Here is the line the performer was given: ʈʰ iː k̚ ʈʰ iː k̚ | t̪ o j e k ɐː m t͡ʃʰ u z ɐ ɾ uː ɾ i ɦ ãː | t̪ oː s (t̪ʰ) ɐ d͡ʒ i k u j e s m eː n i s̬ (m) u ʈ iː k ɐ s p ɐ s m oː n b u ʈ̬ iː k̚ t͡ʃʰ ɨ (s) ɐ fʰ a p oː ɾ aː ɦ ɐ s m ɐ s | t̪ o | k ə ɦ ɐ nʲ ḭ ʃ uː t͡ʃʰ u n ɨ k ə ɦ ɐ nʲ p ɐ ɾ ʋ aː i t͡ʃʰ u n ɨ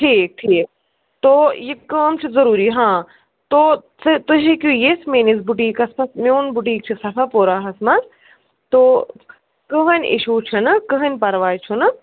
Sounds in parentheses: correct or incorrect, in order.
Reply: incorrect, incorrect, correct

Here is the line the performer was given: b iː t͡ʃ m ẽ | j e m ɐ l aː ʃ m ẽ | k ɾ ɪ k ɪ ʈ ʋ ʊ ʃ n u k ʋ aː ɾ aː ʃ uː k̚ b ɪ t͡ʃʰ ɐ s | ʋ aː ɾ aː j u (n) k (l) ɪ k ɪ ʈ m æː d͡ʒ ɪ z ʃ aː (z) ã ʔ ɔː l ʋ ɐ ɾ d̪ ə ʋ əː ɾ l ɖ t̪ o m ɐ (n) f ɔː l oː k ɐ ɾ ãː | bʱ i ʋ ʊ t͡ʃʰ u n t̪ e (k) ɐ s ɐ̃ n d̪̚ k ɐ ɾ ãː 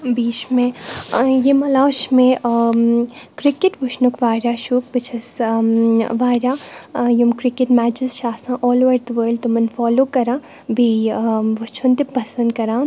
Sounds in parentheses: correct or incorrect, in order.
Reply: incorrect, incorrect, incorrect, correct, incorrect

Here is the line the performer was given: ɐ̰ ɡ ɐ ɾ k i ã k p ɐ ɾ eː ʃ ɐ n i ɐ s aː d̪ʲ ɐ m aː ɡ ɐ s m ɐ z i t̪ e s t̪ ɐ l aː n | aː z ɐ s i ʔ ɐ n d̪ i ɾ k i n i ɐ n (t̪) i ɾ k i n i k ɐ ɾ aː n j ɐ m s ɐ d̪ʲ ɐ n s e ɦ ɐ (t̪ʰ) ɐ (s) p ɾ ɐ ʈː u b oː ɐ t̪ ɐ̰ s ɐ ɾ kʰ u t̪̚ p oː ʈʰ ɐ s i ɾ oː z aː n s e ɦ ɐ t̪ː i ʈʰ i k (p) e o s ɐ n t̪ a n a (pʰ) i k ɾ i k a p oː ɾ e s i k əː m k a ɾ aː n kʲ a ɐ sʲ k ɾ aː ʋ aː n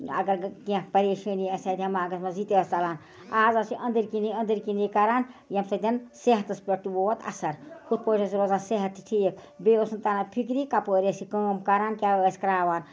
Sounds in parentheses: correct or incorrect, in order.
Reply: incorrect, incorrect, correct, incorrect, correct

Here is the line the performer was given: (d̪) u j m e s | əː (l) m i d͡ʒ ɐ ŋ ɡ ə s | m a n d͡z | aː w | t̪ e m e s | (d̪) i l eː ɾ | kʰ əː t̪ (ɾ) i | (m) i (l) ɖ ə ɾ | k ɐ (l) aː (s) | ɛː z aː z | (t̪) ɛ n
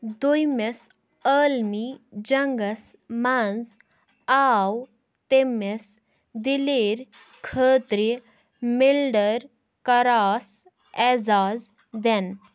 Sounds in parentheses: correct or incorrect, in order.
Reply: correct, correct, correct, correct, correct, correct, incorrect, correct, incorrect

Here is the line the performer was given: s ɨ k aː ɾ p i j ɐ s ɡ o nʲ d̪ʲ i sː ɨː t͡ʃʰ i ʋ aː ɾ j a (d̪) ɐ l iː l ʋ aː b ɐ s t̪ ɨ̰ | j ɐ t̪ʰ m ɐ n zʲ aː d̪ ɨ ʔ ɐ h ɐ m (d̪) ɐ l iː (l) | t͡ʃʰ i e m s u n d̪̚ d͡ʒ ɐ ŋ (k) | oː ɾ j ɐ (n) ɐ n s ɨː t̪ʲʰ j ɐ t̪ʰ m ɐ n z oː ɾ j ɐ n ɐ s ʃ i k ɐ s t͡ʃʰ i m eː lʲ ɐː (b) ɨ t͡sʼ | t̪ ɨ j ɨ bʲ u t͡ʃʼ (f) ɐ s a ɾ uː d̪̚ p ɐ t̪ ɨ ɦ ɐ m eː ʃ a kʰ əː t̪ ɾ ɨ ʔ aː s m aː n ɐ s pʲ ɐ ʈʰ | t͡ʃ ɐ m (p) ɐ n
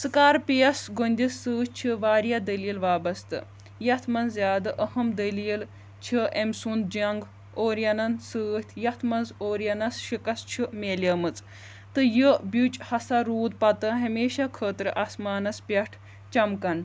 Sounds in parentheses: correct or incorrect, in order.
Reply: correct, correct, correct, incorrect, correct, incorrect, incorrect, incorrect

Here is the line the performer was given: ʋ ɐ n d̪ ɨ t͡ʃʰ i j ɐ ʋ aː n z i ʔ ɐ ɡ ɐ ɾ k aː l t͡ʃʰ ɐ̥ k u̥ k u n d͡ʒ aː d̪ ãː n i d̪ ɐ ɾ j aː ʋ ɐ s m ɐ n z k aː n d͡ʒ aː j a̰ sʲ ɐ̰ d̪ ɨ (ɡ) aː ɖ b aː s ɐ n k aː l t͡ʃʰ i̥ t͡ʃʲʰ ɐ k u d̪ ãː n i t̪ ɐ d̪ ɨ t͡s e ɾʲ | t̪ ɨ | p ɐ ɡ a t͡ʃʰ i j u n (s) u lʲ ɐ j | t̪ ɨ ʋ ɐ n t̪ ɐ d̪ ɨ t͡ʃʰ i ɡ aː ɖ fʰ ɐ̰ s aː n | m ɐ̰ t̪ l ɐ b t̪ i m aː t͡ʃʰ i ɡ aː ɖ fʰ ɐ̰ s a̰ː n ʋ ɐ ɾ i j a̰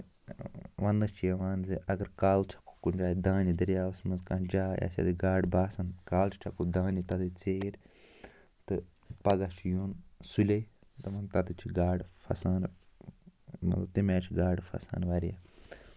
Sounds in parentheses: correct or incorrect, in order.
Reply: correct, correct

